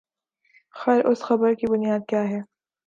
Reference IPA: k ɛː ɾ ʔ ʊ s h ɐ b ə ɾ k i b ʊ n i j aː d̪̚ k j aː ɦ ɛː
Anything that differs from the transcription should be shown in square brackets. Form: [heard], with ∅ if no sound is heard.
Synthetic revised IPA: [x] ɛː ɾ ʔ ʊ s [x] ɐ b ə ɾ k i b ʊ n i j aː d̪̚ k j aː ɦ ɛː